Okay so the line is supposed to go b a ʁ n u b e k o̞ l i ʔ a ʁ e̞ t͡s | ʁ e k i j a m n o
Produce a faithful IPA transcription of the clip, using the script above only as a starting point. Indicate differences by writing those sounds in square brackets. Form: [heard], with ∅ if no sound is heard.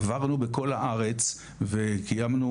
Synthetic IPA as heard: [v] a ʁ n u b e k o̞ l [a] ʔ a ʁ e̞ t͡s | [v] e k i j a m n [u]